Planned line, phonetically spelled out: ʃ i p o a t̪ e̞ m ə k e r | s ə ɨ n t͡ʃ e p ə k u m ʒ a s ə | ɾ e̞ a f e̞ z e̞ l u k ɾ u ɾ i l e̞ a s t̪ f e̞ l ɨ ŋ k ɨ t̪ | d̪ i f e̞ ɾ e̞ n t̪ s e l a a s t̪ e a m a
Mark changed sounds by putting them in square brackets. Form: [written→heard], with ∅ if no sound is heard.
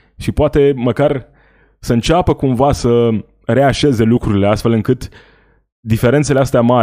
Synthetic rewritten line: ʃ i p o a t̪ e̞ m ə k [e→a] r | s ə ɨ n t͡ʃ [e→a] p ə k u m [ʒ→v] a s ə | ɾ e̞ a [f→ʃ] e̞ z e̞ l u k ɾ u ɾ i l e̞ a s t̪ f e̞ l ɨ ŋ k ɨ t̪ | d̪ i f e̞ ɾ e̞ n t̪ s e l [a→e] a s t̪ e a m a